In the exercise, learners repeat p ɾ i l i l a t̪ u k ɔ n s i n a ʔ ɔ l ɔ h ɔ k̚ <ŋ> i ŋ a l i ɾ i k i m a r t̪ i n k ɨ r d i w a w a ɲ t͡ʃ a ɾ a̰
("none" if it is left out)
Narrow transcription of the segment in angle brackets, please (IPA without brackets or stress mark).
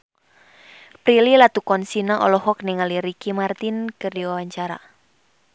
n